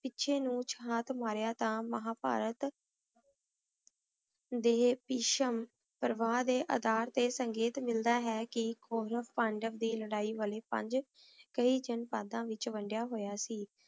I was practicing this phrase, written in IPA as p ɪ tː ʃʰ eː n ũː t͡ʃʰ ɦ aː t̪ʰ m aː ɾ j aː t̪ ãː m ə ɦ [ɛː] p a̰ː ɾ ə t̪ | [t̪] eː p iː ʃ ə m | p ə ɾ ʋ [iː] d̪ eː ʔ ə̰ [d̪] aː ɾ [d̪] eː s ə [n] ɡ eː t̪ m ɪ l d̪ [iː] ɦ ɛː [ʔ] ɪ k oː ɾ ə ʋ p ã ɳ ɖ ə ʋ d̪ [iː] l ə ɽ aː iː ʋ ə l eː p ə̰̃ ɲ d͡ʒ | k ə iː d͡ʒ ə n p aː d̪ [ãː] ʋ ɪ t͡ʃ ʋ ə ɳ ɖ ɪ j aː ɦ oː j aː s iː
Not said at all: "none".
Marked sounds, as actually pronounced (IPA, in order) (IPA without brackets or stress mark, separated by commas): aː, d̪, aː, d̪, t̪, ŋ, aː, k, iː, ãː